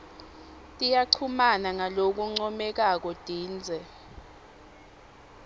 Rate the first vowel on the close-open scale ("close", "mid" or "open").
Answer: close